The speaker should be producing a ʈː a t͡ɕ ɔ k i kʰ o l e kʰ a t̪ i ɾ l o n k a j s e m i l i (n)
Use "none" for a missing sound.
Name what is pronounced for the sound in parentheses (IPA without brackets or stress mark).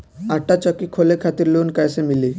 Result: none